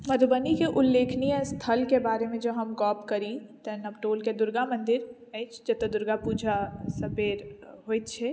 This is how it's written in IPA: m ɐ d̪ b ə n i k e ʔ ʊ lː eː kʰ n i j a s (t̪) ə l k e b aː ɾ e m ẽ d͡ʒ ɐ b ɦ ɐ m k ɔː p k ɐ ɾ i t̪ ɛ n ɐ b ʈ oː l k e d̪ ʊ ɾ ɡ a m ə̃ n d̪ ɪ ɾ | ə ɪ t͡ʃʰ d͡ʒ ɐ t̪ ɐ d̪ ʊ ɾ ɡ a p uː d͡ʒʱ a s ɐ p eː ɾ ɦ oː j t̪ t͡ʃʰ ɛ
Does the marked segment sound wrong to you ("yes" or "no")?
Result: yes